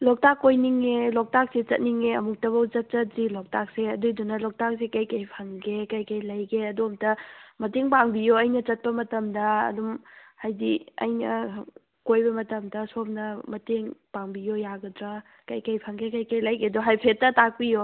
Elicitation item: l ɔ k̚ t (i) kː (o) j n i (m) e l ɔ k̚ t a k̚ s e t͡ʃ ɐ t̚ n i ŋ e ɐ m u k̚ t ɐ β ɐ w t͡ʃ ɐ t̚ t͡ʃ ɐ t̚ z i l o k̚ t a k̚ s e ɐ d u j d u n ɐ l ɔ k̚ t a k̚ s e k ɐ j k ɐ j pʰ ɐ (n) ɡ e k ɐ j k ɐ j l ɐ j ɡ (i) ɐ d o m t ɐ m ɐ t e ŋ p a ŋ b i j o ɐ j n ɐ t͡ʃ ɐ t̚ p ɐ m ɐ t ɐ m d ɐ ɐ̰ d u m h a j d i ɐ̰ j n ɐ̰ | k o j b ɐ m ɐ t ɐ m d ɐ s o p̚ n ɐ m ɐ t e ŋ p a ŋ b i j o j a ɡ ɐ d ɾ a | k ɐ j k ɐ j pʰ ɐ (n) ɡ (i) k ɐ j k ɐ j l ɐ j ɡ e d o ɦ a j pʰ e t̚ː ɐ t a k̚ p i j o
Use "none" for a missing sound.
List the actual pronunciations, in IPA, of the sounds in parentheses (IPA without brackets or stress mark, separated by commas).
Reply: a, o, ŋ, ŋ, e, ŋ, e